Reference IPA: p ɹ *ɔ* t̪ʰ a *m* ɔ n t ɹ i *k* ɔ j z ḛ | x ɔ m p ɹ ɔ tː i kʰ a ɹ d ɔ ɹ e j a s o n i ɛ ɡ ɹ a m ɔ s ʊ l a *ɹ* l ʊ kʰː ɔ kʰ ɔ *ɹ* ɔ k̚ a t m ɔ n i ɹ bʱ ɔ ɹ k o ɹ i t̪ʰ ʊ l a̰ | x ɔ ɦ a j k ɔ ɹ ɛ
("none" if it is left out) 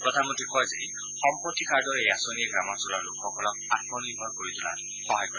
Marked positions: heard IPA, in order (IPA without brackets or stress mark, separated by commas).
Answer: ɔ, m, k, ɹ, l